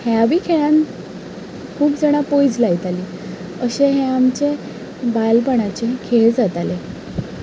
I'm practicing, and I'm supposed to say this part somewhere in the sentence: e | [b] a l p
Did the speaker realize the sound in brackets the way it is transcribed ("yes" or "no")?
yes